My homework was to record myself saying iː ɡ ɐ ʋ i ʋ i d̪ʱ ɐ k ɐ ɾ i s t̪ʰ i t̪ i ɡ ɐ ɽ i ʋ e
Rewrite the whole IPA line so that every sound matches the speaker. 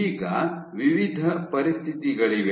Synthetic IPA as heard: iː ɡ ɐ ʋ i ʋ i d̪ʱ ɐ p ɐ ɾ i s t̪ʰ i t̪ i ɡ ɐ ɭ i ʋ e